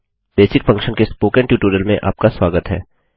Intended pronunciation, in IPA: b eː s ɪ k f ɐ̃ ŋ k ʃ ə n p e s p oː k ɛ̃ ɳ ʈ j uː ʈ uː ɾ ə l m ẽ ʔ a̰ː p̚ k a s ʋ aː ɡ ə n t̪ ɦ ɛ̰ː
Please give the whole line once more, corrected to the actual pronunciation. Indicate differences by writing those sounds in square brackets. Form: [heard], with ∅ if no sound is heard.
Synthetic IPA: b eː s ɪ k f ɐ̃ ŋ k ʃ ə n [k] e s p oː k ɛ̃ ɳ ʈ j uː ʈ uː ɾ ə l m ẽ ʔ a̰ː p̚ k a s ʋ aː ɡ ə [∅] t̪ ɦ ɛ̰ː